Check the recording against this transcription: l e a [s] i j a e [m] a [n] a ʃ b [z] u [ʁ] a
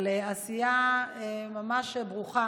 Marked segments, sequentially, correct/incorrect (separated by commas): correct, correct, incorrect, incorrect, incorrect